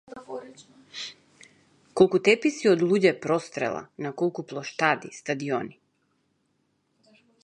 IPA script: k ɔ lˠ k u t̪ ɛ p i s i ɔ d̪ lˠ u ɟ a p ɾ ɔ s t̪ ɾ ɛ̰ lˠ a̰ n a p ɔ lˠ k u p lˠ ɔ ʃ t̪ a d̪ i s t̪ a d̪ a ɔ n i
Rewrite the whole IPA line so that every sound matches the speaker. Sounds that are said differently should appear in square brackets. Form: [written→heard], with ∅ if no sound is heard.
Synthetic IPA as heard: k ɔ lˠ k u t̪ ɛ p i s i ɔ d̪ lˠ u ɟ [a→ɛ] p ɾ ɔ s t̪ ɾ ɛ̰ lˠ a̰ n a [p→k] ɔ lˠ k u p lˠ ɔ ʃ t̪ a d̪ i s t̪ a d̪ [a→i] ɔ n i